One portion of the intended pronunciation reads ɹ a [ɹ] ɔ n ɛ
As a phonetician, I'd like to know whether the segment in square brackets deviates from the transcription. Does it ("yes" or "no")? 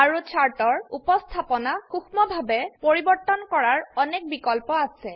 no